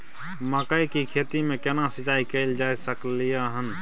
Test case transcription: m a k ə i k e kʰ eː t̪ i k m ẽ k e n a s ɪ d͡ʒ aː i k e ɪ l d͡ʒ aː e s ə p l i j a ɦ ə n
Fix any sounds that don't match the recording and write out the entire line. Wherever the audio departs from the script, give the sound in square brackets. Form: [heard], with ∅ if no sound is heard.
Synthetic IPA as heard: m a k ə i k [i] kʰ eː t̪ i [∅] m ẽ k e n a s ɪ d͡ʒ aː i k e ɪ l d͡ʒ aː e s ə [k] l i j a ɦ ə n